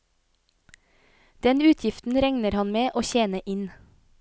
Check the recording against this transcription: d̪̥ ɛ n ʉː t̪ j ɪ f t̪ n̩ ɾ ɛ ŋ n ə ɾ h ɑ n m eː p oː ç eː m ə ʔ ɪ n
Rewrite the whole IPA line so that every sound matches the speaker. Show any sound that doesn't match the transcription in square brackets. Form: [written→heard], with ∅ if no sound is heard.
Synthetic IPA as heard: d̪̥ ɛ n ʉː [t̪→t̪ʰ] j ɪ f t̪ n̩ ɾ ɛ ŋ n ə ɾ h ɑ n m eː [p→ʔ] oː ç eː [m→n] ə ʔ ɪ n